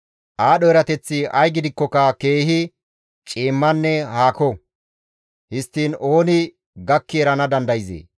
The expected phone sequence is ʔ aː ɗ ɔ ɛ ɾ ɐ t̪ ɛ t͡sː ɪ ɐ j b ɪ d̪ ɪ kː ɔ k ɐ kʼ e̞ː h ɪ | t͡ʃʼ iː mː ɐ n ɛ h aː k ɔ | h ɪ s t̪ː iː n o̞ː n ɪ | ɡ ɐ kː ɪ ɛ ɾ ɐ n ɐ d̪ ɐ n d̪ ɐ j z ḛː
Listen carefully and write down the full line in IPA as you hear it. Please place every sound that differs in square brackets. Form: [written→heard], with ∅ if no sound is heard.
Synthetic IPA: ʔ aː ɗ ɔ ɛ ɾ ɐ t̪ ɛ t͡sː ɪ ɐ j [b→ɡ] ɪ d̪ ɪ kː ɔ k ɐ [kʼ→k] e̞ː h ɪ | t͡ʃʼ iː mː ɐ [n→nː] ɛ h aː k ɔ | h ɪ s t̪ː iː n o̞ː n ɪ | ɡ ɐ kː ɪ ɛ ɾ ɐ n ɐ d̪ ɐ n d̪ ɐ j z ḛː